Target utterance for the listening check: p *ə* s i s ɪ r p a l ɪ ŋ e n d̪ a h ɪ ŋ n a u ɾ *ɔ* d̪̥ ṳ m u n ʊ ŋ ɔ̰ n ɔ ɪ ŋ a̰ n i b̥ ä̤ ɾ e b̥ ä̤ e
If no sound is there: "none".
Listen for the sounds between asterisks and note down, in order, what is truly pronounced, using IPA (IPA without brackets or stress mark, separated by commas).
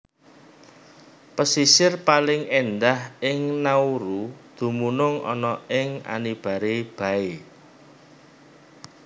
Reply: ə, u